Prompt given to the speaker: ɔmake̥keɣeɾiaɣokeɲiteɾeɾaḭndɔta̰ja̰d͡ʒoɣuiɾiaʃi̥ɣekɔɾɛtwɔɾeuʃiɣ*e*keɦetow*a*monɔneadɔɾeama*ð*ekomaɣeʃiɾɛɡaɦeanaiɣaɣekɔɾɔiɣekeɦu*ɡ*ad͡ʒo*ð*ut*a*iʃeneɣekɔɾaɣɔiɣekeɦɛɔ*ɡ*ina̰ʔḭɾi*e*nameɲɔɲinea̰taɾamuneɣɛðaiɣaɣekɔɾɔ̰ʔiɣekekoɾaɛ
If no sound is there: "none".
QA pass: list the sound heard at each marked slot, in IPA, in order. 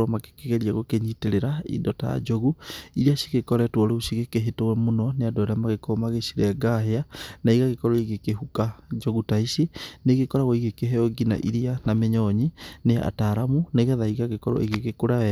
e, ɛ, ɣ, k, ɣ, a, ɡ, a

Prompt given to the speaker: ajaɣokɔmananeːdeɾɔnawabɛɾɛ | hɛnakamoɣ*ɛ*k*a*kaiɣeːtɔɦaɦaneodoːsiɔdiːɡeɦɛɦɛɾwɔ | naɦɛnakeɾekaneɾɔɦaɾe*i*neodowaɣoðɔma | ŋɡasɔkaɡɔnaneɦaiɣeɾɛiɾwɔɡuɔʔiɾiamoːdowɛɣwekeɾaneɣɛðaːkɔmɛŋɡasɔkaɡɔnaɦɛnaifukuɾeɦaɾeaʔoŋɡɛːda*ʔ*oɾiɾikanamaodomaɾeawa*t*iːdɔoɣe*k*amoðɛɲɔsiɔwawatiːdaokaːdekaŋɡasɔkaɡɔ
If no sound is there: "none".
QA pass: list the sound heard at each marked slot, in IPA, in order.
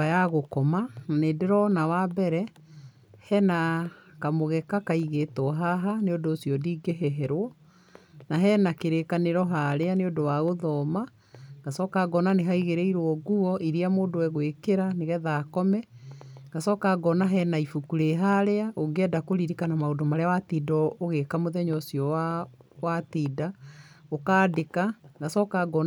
ɛ, a, a, k, t, k

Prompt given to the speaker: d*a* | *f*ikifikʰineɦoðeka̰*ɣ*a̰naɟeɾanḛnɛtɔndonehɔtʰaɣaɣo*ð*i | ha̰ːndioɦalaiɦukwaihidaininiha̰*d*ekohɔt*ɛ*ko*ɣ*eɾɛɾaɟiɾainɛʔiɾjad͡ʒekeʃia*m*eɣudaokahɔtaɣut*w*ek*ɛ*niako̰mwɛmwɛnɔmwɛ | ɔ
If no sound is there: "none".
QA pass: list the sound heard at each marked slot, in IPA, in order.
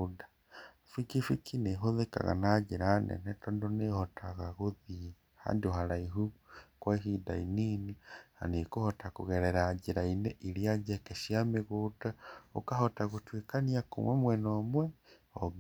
a, f, ɣ, ð, n, a, ɣ, m, w, a

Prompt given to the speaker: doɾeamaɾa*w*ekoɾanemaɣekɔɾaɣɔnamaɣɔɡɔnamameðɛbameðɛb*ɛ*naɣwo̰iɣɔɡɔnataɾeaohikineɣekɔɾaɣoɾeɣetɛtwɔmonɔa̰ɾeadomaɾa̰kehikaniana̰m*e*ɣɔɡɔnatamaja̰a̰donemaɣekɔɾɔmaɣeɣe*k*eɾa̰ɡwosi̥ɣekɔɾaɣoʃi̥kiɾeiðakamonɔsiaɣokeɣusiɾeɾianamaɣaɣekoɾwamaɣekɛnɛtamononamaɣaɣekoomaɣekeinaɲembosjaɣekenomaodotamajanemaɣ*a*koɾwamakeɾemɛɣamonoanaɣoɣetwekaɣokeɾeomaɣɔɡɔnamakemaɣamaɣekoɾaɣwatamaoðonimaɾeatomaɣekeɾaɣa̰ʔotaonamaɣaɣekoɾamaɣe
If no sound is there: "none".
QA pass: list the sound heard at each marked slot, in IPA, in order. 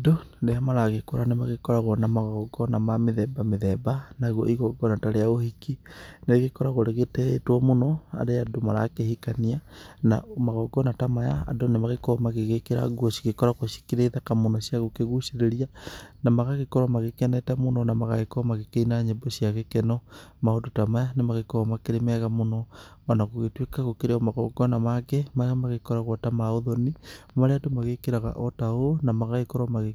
ɣ, a, a, k, e

